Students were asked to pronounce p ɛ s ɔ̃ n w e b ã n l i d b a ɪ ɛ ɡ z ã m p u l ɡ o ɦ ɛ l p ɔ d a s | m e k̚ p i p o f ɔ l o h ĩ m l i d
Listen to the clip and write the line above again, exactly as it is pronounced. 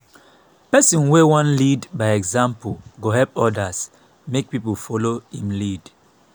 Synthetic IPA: p ɛ s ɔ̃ n w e w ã n l i d b a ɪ ɛ ɡ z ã m p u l ɡ o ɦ ɛ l p ɔ d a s | m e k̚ p i p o f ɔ l o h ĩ m l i d